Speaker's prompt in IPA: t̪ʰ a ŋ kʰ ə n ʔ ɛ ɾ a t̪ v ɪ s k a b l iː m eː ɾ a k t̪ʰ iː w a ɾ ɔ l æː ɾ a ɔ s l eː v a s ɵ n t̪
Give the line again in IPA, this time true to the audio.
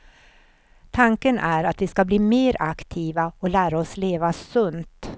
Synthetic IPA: t̪ʰ a ŋ k ə n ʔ æ ɾ a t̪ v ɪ s k a b l iː m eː ɾ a k t̪ʰ iː v a ɔ l æː ɾ a ɔ s l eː v a s ɵ n t̪